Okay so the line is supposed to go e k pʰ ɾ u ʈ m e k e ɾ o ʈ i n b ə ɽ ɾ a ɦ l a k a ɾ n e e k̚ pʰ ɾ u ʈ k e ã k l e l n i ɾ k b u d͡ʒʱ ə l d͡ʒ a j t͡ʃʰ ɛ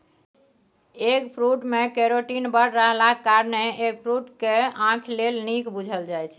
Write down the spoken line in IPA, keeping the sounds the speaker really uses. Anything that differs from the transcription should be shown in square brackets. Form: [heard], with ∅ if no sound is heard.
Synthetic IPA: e k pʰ ɾ u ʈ m e k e ɾ o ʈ i n b ə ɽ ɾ [ə] ɦ l a k a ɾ n e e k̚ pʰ ɾ u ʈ k e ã [kʰ] l e l n i [∅] k b u d͡ʒʱ ə l d͡ʒ a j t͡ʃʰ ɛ